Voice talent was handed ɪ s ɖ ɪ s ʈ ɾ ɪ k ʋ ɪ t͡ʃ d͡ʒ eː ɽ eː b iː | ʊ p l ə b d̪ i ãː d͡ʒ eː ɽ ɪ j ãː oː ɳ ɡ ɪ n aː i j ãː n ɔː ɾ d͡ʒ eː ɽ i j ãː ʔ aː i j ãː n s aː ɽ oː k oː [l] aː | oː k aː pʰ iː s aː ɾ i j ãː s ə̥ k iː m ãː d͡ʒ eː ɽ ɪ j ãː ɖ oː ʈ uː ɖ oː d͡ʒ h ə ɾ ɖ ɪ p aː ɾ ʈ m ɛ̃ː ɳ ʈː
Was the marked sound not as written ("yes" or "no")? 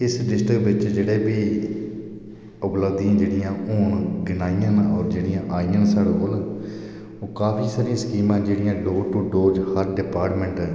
no